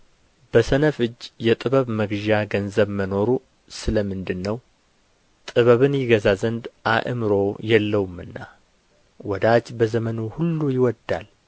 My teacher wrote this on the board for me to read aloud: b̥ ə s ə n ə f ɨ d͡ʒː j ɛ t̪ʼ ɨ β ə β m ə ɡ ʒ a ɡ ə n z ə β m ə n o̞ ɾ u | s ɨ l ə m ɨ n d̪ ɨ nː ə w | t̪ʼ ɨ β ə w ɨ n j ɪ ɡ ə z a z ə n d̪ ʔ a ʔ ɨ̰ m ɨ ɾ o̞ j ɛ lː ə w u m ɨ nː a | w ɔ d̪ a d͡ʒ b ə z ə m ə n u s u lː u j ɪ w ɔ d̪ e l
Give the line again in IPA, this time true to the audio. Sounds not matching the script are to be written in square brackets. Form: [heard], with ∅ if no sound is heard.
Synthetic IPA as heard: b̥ ə s ə n ə f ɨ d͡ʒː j ɛ t̪ʼ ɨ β ə β m ə ɡ ʒ a ɡ ə n z ə β m ə n o̞ ɾ u | s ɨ l ə m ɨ n d̪ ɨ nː ə w | t̪ʼ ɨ β ə [β] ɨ n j ɪ ɡ ə z a z ə n d̪ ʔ a ʔ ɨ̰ m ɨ ɾ o̞ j ɛ lː ə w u m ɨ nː a | w ɔ d̪ a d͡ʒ b ə z ə m ə n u [h] u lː u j ɪ w ɔ d̪ [a] l

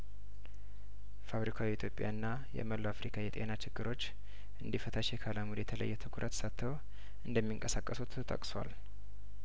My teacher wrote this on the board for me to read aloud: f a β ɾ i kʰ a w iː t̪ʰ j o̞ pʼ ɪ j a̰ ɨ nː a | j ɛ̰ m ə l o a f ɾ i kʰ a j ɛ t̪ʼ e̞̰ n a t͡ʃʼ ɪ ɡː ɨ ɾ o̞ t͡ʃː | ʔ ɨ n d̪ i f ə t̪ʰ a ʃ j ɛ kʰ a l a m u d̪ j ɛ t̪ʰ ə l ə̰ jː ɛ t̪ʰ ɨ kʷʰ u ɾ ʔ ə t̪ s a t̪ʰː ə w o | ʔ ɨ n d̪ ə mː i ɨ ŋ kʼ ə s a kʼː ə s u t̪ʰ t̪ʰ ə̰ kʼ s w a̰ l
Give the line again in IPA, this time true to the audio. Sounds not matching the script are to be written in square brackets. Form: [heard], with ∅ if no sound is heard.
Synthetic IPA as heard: f a β ɾ i kʰ a w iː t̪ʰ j o̞ pʼ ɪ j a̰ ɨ nː a | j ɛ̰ m ə l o a f ɾ i kʰ a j ɛ t̪ʼ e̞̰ n a [t͡ʃ] ɪ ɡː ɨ ɾ o̞ t͡ʃː | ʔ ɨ n d̪ i f ə t̪ʰ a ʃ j ɛ kʰ a l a m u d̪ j ɛ t̪ʰ ə l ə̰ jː ɛ t̪ʰ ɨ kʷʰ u ɾ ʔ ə t̪ s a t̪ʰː ə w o | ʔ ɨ n d̪ ə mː i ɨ ŋ kʼ ə s a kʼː ə s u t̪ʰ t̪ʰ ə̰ kʼ s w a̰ l

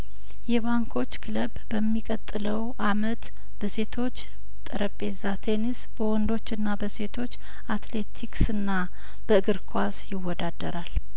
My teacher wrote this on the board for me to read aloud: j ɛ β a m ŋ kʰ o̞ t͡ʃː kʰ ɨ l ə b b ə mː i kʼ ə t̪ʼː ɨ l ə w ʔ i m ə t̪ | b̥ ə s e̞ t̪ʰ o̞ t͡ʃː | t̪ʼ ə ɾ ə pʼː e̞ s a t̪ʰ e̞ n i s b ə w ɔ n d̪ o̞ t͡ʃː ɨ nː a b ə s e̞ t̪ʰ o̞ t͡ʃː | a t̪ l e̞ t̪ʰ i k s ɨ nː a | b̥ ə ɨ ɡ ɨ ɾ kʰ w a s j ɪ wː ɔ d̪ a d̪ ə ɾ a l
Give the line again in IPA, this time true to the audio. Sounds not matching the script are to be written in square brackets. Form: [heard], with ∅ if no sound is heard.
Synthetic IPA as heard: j ɛ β a [∅] ŋ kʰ o̞ t͡ʃː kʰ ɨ l ə b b ə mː i kʼ ə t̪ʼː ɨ l ə w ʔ [a] m ə t̪ | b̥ ə s e̞ t̪ʰ o̞ t͡ʃː | t̪ʼ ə ɾ ə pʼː e̞ [z] a t̪ʰ e̞ n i s b ə w ɔ n d̪ o̞ t͡ʃː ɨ nː a b ə s e̞ t̪ʰ o̞ t͡ʃː | a t̪ l e̞ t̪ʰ i k s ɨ nː a | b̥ ə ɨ ɡ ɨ ɾ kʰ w a s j ɪ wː ɔ d̪ a d̪ ə ɾ a l

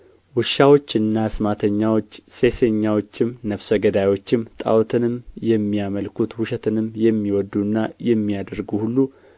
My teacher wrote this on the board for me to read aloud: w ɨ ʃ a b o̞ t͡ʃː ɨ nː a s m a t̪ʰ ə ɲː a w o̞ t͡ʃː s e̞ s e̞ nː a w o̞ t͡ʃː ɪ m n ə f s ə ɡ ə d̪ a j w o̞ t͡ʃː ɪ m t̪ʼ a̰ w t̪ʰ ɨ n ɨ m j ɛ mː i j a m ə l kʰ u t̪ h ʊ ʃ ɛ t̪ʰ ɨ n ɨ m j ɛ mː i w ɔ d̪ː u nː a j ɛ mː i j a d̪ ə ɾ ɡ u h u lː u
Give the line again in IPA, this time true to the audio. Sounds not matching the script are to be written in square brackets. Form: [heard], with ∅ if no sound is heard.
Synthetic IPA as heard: w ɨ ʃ a [w] o̞ t͡ʃː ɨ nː a s m a t̪ʰ ə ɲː a w o̞ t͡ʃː s e̞ s e̞ [ɲː] a w o̞ t͡ʃː ɪ m n ə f s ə ɡ ə d̪ a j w o̞ t͡ʃː ɪ m t̪ʼ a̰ w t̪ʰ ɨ n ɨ m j ɛ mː i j a m ə l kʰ u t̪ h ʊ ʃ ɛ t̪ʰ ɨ n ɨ m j ɛ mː i w ɔ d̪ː u nː a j ɛ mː i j a d̪ ə ɾ ɡ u h u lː u

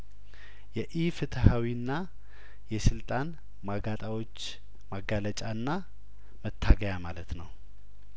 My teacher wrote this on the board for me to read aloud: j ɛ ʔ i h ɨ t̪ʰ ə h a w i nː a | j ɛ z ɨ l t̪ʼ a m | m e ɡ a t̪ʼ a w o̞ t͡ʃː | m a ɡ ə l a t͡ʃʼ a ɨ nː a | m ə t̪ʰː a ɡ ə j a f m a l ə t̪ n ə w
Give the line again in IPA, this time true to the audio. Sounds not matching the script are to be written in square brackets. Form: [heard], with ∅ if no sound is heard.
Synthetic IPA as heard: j ɛ ʔ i [f] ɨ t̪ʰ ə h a w i nː a | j ɛ [s] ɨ l t̪ʼ a [n] | m [a] ɡ a t̪ʼ a w o̞ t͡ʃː | m a ɡ [a] l [ə] t͡ʃʼ a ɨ nː a | m ə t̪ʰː a ɡ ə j a [∅] m a l ə t̪ n ə w

